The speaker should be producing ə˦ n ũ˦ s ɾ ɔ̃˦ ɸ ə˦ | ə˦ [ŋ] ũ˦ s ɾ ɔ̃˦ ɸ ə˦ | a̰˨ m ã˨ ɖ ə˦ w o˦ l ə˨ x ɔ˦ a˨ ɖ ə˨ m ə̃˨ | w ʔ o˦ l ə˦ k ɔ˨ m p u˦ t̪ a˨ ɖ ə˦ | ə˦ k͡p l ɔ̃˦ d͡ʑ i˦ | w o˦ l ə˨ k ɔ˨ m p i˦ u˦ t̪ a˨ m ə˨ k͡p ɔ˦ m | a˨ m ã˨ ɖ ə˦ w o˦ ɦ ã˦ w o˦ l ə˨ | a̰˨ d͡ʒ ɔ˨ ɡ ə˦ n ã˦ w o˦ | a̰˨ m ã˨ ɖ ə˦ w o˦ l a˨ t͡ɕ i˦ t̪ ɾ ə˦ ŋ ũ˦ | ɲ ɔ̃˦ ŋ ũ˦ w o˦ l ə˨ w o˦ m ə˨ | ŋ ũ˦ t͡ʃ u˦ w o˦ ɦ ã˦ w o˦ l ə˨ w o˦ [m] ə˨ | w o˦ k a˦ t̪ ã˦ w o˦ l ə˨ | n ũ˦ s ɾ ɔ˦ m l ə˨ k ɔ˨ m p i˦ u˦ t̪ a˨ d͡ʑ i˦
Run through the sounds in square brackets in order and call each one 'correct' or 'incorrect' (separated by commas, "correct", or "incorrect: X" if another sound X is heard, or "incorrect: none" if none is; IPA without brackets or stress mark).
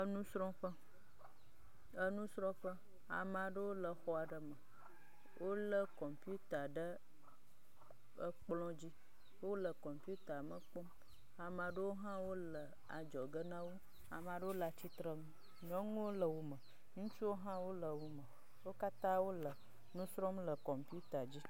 incorrect: n, correct